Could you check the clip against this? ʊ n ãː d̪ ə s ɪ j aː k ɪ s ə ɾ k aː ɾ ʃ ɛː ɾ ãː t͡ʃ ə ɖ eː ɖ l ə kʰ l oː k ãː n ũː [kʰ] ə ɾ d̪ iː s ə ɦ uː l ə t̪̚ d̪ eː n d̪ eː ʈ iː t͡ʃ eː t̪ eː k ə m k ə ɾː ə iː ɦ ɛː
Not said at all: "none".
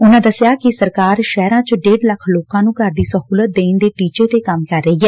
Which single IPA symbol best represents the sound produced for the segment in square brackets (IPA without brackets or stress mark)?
k